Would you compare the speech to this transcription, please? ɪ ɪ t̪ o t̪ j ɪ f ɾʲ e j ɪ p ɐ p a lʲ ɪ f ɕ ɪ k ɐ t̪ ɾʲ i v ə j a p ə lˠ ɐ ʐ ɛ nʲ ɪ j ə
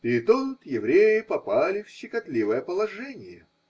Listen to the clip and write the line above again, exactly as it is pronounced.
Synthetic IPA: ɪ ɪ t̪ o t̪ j ɪ v ɾʲ e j ɪ p ɐ p a lʲ ɪ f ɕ ɪ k ɐ t̪ lʲ i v ə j ə p ə lˠ ɐ ʐ ɛ nʲ ɪ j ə